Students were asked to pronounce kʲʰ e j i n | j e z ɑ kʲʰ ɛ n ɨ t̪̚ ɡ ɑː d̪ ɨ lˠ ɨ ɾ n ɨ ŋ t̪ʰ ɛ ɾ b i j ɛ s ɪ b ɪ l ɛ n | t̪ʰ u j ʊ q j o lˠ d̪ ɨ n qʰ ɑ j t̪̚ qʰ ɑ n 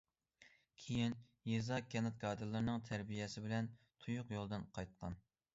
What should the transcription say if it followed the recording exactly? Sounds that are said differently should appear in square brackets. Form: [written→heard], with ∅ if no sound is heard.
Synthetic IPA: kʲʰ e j i n | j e z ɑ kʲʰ ɛ n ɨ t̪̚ ɡ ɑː d̪ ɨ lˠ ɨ ɾ n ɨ ŋ t̪ʰ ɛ ɾ b i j ɛ s ɪ b ɪ l ɛ n | t̪ʰ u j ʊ q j o lˠ d̪ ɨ n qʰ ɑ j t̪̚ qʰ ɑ n